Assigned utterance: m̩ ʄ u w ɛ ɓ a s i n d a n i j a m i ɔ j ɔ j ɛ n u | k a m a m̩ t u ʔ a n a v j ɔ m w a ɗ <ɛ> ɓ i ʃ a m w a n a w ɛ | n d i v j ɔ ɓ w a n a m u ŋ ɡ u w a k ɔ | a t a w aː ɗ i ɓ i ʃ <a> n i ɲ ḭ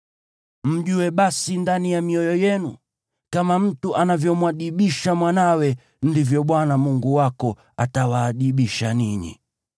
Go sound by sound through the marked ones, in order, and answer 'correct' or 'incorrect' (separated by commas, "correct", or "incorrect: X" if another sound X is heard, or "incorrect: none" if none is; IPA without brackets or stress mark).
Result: incorrect: i, correct